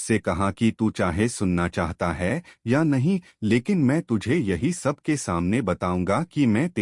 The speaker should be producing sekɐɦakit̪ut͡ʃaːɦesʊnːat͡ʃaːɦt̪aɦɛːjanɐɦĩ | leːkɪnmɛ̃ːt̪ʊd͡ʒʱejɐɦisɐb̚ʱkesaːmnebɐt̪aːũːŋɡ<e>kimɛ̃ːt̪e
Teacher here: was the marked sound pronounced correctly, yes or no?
no